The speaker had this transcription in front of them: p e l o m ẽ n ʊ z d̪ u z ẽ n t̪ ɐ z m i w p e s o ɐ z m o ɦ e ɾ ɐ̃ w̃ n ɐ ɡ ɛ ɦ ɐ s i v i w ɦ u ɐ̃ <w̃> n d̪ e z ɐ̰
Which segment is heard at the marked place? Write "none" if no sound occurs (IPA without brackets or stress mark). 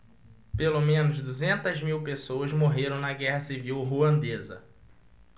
none